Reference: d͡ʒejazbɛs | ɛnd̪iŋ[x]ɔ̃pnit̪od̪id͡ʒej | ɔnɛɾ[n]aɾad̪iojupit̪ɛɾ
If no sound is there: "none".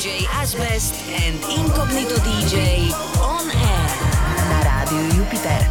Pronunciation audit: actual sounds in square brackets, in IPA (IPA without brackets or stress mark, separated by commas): k, n